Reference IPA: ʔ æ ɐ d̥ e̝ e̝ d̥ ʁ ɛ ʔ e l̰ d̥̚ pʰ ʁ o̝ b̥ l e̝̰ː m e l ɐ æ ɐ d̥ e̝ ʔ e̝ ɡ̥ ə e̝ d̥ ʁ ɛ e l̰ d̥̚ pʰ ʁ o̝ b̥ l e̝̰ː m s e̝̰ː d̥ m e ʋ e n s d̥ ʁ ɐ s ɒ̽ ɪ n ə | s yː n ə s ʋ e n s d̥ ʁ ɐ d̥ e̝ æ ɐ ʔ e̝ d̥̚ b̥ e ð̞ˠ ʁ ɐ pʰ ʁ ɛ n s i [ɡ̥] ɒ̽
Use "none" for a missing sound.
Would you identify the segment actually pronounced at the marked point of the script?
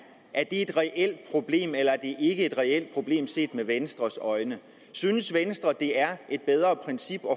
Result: b̥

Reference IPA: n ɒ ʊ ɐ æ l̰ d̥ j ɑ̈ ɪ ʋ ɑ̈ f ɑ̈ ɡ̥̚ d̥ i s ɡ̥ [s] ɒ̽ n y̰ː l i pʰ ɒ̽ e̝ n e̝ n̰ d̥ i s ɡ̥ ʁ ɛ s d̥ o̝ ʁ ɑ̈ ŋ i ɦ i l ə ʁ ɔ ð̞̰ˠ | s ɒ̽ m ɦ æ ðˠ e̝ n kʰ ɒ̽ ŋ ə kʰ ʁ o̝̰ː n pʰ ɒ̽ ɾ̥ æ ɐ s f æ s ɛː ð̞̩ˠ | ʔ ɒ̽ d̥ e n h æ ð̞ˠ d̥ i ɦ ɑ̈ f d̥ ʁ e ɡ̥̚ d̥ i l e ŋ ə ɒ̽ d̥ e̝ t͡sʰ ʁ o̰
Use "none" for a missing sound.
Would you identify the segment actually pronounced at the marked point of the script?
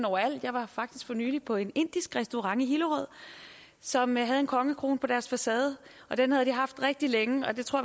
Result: f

